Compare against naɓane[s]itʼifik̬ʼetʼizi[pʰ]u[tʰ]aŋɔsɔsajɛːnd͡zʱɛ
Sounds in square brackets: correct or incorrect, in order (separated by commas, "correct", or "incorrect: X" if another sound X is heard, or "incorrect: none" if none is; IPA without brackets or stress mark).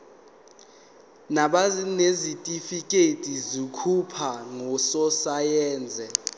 incorrect: z, incorrect: kʰ, incorrect: pʰ